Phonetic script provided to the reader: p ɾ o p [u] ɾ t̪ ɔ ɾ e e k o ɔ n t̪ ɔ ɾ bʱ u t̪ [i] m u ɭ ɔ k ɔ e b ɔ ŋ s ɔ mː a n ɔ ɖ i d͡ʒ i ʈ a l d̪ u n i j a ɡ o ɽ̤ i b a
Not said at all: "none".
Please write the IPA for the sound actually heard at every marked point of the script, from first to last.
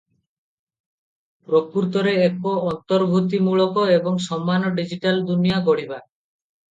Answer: u, i

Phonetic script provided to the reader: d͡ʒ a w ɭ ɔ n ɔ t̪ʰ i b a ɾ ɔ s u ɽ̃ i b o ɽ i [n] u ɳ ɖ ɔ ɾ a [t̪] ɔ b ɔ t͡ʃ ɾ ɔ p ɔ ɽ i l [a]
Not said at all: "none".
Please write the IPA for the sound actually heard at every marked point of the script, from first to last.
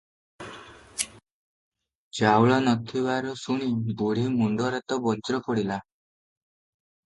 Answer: m, t̪, a

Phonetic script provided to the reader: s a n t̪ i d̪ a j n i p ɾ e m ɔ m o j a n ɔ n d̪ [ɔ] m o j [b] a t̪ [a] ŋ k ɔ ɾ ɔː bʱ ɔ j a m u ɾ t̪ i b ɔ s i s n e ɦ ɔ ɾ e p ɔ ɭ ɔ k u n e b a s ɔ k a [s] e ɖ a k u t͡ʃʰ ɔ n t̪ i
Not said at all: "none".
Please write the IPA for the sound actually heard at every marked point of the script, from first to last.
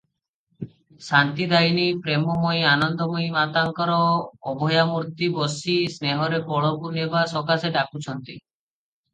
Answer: ɔ, m, a, s

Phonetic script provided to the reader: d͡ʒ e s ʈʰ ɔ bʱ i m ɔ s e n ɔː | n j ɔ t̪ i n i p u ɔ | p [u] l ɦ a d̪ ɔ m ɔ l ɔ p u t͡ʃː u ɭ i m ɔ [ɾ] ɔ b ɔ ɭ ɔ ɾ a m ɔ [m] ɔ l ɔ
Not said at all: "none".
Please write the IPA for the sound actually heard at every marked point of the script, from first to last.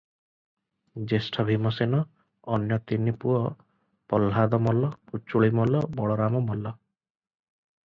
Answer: ɔ, l, m

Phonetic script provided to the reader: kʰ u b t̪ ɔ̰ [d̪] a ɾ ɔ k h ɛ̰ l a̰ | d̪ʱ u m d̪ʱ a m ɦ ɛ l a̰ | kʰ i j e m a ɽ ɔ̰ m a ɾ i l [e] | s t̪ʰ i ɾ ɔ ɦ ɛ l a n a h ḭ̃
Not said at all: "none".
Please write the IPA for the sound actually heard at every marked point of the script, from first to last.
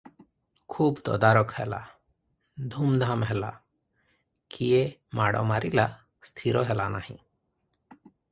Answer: d̪, a

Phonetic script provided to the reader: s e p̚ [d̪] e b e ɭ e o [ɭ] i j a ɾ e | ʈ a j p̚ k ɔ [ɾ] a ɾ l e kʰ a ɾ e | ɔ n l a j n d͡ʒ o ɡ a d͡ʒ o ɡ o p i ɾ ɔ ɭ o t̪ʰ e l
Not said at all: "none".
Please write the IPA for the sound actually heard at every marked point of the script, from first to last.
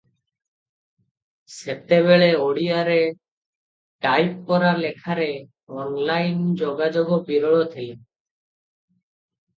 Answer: t̪, ɽ, ɾ

